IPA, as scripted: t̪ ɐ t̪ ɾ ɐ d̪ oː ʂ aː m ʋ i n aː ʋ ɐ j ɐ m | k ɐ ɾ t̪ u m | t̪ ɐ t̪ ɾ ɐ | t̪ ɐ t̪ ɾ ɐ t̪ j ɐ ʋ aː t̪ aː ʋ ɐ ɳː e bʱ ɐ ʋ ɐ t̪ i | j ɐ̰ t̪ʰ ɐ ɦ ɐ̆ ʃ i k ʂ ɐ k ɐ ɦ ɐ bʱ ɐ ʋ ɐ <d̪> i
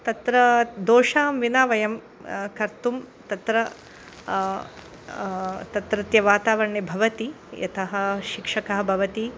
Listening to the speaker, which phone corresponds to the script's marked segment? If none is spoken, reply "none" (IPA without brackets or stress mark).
t̪